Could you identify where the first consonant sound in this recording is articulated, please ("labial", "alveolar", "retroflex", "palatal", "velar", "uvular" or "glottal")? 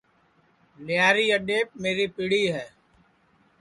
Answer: alveolar